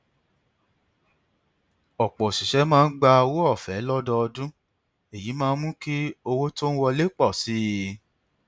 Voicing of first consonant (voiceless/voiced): voiceless